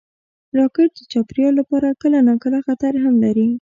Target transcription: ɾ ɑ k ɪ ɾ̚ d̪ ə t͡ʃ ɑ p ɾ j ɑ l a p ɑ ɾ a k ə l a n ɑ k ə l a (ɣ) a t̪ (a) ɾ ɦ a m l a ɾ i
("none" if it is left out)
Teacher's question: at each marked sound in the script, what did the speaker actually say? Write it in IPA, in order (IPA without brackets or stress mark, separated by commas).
x, a